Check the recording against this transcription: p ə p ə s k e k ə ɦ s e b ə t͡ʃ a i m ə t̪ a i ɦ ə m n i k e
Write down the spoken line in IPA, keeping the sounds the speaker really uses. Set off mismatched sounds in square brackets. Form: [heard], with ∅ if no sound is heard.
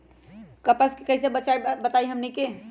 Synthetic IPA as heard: [k] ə p ə s k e k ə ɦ s e b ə t͡ʃ a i [b] ə t̪ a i ɦ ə m n i k e